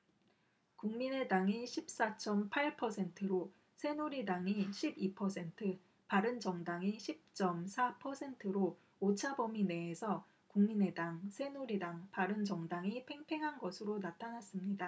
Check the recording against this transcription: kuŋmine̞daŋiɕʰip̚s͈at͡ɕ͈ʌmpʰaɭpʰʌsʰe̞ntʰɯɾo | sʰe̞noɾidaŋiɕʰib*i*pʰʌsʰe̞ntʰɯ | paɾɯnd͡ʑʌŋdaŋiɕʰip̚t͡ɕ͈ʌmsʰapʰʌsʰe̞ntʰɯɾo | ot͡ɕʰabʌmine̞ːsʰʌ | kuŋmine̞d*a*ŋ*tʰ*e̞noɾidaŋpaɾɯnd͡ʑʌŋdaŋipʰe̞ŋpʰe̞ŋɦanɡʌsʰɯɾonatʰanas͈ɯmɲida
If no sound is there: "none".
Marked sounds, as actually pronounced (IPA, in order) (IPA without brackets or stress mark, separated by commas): i, a, sʰ